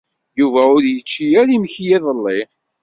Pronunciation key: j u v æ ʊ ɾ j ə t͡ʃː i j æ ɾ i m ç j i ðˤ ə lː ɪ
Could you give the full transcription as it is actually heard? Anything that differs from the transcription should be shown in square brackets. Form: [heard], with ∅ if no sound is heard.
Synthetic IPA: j u v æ ʊ ɾ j ə t͡ʃː i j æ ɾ i m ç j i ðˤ ə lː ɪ